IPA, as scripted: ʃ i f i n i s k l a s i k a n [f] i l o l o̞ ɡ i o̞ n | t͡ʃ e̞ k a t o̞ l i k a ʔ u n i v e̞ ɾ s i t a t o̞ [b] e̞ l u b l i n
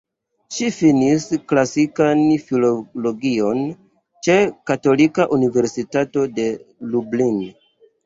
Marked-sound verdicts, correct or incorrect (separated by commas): correct, incorrect